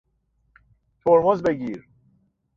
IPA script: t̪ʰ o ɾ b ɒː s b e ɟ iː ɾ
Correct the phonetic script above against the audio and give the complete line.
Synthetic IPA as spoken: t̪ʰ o ɾ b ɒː z b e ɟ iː ɾ

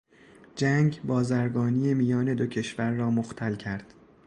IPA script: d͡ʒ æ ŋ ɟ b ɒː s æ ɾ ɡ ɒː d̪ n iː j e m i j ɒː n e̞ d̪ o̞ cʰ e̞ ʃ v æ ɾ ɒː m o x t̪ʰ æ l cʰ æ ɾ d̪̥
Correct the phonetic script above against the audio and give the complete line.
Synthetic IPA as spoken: d͡ʒ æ ŋ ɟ b ɒː z æ ɾ ɡ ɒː n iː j e m i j ɒː n e̞ d̪ o̞ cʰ e̞ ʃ v æ ɾː ɒː m o x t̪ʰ æ l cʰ æ ɾ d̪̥

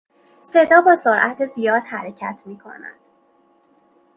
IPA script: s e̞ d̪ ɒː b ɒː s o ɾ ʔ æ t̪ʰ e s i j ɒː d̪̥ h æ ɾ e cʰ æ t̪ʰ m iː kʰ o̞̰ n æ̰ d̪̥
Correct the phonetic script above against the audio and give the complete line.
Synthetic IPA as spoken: s e̞ d̪ ɒː b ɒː s o ɾ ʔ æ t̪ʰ e z i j ɒː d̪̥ h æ ɾ e cʰ æ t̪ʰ m iː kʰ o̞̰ n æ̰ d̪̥

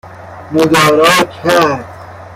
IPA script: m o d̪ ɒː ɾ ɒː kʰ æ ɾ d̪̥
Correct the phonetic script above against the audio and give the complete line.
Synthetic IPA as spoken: m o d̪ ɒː ɾ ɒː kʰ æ ɾ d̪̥

